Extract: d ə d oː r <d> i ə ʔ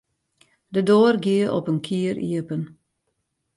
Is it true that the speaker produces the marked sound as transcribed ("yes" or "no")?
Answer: no